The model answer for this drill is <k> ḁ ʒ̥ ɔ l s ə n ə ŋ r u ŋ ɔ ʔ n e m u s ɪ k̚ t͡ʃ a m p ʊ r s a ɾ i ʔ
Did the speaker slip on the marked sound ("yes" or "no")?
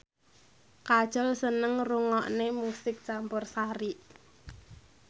no